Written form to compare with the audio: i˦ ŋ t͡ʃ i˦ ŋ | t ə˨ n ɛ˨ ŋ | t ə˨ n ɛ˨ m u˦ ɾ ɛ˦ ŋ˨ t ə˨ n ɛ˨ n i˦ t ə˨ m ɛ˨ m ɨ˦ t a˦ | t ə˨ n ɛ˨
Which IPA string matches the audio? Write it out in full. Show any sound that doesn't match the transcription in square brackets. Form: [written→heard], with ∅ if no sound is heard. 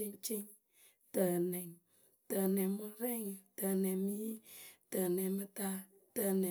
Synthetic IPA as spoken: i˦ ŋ t͡ʃ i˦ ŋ | t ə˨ n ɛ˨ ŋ | t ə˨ n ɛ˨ m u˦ ɾ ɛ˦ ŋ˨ t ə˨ n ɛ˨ [n→m] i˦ t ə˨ [m→n] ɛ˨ m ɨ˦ t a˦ | t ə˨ n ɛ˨